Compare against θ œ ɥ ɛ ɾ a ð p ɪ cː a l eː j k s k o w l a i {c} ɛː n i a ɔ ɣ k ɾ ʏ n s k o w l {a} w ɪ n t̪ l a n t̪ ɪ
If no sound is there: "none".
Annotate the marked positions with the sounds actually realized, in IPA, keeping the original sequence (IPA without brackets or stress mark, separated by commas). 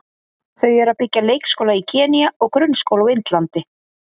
cʰ, a